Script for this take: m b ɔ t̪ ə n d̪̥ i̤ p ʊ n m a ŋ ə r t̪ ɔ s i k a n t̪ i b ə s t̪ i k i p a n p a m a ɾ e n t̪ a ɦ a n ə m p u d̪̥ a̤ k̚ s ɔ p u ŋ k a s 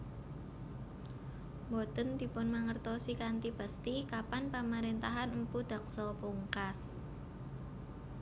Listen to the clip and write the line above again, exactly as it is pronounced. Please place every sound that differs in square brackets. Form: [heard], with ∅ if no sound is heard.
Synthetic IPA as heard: m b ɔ t̪ ə n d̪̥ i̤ p ʊ n m a ŋ ə r t̪ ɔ s i k a n t̪ i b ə s t̪ i k [a] p a n p a m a ɾ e n t̪ a ɦ a n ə m p u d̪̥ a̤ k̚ s ɔ p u ŋ k a s